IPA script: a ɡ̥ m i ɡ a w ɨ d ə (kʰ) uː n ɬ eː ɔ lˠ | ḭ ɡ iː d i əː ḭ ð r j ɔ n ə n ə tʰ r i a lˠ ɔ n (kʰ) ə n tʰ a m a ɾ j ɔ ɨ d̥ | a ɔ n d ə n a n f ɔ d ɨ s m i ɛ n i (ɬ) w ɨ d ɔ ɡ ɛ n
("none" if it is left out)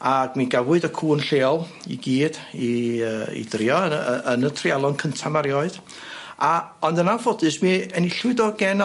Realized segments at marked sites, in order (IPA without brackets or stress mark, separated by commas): kʰ, kʰ, ɬ